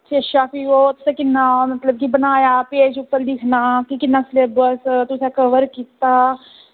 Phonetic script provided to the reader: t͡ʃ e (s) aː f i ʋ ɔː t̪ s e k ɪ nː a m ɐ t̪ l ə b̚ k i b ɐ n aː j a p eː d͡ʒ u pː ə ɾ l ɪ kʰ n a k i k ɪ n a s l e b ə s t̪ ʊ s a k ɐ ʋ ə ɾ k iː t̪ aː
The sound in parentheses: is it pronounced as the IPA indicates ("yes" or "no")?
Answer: no